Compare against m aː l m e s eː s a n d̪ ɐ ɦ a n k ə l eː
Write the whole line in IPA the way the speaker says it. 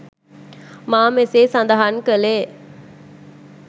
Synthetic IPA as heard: m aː m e s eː s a n d̪ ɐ ɦ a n k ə l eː